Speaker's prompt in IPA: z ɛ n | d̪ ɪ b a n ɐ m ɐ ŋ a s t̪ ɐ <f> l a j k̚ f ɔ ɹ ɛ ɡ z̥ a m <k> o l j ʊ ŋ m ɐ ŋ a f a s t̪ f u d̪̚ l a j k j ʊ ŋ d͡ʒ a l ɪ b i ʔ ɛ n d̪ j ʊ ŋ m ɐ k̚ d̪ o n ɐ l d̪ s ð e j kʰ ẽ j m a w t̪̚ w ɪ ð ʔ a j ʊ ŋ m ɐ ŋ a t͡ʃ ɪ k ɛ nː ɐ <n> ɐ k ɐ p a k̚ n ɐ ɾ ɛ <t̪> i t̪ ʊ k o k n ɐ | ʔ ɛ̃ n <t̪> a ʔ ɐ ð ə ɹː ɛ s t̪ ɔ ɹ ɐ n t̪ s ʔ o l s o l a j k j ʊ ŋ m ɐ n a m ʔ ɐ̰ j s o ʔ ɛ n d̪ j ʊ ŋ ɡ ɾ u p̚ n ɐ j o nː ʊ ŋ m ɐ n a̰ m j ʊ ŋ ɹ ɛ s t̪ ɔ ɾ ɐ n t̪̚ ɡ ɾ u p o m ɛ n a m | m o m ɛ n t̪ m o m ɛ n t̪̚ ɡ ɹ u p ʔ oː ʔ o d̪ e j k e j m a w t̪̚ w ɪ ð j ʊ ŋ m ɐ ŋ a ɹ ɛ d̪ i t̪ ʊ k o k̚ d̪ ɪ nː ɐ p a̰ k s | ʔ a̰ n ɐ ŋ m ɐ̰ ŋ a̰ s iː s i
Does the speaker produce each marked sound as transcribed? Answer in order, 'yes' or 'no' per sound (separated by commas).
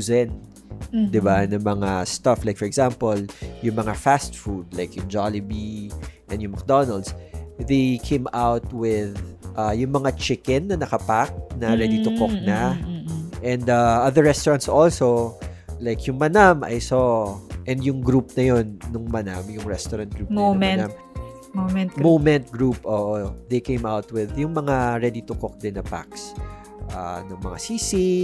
yes, no, yes, no, no